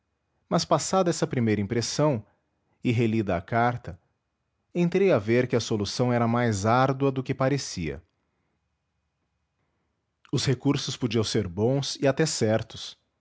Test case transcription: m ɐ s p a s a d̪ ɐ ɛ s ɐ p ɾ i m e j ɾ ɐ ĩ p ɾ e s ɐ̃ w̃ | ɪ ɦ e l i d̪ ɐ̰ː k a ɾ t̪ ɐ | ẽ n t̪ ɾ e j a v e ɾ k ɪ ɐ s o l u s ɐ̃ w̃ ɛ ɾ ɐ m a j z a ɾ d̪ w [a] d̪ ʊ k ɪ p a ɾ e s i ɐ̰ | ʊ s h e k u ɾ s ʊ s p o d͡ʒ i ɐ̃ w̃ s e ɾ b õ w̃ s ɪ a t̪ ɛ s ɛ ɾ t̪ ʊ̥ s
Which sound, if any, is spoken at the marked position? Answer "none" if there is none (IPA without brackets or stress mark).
ɐ